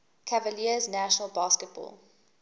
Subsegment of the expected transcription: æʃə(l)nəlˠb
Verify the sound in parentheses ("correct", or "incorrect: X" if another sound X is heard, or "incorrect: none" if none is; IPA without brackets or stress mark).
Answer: incorrect: none